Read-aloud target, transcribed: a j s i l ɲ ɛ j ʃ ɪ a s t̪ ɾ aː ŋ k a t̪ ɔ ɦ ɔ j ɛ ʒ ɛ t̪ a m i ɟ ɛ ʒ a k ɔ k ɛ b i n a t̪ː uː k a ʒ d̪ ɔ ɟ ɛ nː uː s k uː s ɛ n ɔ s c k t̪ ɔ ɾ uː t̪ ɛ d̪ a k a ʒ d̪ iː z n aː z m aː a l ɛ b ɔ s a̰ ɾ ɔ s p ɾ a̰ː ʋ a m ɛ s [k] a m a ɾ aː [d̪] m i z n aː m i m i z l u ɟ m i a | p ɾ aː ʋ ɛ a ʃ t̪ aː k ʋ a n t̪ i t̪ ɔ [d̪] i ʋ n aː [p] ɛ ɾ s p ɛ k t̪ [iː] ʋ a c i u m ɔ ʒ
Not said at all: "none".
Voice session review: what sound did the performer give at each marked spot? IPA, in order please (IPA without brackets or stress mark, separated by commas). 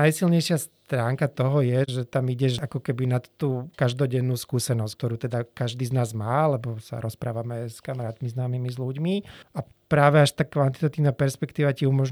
k, t̪, t̪, p, iː